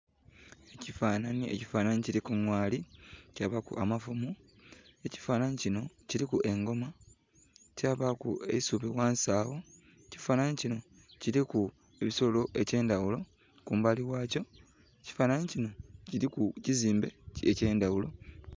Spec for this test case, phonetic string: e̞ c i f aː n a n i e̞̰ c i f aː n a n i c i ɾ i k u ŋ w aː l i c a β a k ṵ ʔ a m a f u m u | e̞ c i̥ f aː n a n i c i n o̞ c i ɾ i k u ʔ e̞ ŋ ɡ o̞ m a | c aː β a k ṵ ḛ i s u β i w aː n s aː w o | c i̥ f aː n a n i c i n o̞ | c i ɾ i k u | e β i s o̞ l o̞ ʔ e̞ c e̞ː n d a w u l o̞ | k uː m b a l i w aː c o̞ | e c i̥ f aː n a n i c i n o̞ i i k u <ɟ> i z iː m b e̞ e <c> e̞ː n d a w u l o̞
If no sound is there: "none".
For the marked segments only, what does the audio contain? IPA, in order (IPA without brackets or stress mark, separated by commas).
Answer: c, c